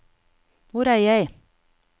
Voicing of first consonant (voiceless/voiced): voiced